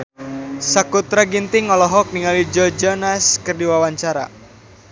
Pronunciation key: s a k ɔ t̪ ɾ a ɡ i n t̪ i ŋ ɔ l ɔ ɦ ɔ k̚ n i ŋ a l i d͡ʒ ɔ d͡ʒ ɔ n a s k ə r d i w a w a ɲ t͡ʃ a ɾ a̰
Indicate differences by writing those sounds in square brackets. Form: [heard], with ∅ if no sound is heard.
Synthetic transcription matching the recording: s a k [u] t̪ ɾ a ɡ i n t̪ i ŋ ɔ l ɔ ɦ ɔ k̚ n i ŋ a l i d͡ʒ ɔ d͡ʒ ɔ n a s k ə r d i w a w a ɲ t͡ʃ a ɾ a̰